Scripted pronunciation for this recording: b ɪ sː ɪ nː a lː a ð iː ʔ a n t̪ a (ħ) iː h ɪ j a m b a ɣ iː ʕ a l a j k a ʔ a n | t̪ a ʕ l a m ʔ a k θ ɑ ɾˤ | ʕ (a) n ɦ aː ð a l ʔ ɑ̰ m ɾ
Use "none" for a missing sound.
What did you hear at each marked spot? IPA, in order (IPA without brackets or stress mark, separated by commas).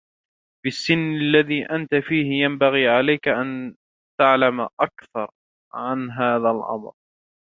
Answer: f, a